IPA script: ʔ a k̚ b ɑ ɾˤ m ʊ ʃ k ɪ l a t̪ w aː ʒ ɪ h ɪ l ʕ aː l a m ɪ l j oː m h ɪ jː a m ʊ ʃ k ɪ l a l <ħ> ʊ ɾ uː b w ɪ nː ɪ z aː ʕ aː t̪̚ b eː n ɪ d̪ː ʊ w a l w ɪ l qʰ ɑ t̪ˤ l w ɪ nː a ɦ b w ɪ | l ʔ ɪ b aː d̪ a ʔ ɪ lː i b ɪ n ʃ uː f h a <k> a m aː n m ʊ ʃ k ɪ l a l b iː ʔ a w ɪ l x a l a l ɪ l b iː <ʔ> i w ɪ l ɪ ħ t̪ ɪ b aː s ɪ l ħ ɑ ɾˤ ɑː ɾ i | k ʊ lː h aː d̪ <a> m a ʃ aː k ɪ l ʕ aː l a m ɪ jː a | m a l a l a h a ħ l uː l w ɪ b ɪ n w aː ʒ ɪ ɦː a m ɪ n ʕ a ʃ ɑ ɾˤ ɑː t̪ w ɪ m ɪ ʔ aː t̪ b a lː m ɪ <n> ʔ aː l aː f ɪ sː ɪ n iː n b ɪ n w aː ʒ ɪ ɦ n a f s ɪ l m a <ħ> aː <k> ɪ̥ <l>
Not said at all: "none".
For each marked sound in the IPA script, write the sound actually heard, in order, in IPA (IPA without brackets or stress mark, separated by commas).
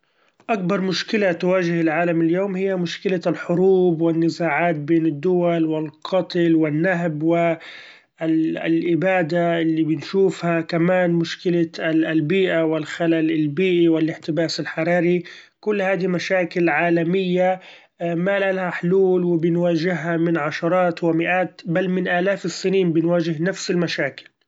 ħ, k, ʔ, i, n, ʃ, k, l